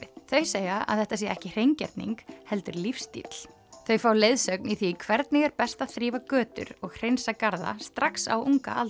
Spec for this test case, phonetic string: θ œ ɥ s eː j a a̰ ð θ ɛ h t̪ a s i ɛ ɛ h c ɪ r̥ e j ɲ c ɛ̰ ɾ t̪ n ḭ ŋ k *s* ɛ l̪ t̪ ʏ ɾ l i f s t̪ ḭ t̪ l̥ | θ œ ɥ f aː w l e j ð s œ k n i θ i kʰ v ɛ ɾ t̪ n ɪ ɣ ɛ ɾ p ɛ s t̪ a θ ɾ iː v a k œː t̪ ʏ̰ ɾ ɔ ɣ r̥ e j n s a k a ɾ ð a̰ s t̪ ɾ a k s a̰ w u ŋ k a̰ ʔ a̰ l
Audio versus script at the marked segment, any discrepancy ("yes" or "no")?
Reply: yes